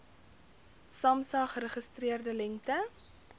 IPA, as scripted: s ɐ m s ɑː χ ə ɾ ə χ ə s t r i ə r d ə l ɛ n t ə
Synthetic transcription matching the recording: s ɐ m s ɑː χ ə ɾ ə χ ə s t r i ə r d ə l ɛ ŋ t ə